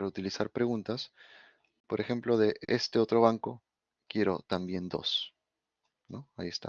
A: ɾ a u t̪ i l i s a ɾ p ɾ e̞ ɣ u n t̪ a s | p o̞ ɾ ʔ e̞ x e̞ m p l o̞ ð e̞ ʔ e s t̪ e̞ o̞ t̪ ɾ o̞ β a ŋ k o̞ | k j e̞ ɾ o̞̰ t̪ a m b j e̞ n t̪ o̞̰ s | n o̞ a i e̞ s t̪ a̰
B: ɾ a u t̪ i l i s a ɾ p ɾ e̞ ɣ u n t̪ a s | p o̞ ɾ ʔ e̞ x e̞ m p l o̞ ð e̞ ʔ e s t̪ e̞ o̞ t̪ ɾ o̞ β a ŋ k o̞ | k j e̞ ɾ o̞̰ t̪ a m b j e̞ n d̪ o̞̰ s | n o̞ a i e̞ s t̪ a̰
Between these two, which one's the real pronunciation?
B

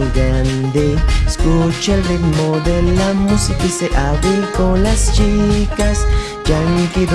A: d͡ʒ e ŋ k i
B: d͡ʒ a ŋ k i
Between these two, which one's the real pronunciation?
B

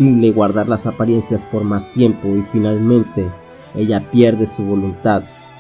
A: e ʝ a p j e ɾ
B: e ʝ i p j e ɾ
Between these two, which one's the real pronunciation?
A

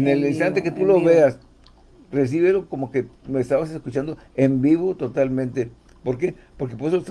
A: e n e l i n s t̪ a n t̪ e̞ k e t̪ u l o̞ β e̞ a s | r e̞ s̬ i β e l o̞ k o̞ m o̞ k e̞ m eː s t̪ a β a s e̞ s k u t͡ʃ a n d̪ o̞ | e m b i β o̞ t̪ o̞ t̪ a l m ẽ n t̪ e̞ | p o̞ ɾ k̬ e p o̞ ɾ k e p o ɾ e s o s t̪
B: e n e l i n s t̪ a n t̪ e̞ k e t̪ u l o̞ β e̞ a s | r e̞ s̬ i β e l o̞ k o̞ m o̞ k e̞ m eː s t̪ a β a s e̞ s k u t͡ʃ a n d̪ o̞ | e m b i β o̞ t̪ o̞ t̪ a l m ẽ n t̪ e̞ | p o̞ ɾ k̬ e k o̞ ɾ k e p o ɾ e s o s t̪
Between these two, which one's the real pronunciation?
A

